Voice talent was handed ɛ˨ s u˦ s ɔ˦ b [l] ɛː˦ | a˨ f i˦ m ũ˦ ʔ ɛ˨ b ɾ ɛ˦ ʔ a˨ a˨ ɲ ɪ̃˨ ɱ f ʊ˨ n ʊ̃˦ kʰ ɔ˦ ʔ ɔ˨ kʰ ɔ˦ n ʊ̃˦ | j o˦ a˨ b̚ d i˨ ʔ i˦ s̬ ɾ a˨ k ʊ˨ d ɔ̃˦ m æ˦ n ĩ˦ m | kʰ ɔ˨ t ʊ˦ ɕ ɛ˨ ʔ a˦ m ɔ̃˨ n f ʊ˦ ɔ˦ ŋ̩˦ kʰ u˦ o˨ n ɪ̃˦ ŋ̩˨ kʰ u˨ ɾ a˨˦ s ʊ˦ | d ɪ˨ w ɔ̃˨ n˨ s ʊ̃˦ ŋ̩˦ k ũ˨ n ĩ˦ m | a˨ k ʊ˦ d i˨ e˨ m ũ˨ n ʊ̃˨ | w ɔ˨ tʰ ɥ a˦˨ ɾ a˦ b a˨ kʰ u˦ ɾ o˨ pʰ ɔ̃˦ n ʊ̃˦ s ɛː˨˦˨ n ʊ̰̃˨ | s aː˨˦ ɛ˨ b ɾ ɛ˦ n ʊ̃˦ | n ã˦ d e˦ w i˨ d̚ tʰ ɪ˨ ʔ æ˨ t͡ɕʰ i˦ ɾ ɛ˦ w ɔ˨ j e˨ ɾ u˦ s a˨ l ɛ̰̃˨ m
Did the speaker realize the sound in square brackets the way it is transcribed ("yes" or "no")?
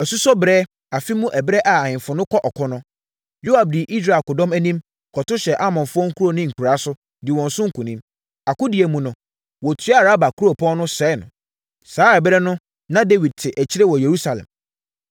no